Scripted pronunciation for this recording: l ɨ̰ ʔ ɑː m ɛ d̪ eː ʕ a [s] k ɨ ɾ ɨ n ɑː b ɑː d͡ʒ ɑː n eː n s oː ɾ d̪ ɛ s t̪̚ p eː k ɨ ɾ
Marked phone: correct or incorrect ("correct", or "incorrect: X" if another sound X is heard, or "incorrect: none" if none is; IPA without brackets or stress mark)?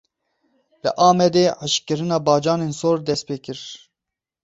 incorrect: ʃ